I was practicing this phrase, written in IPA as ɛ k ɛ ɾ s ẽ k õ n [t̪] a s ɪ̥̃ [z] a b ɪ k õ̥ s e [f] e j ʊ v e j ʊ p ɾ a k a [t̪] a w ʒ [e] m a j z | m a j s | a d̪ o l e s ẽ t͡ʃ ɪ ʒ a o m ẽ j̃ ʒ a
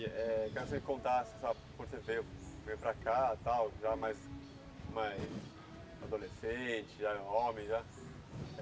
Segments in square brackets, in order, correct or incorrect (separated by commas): correct, incorrect, incorrect, correct, incorrect